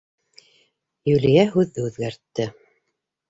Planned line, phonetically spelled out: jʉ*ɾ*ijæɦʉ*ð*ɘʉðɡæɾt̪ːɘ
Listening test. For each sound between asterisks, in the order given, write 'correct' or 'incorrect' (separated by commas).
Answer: incorrect, incorrect